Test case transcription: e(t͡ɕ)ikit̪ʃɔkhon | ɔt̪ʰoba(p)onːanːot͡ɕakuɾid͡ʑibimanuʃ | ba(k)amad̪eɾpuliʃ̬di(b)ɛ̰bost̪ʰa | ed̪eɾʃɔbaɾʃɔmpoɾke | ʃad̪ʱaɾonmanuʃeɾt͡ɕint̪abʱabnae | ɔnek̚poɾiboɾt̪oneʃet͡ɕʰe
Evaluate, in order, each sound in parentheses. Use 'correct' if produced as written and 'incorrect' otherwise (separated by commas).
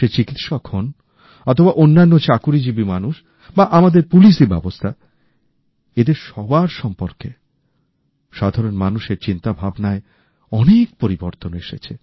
correct, incorrect, incorrect, correct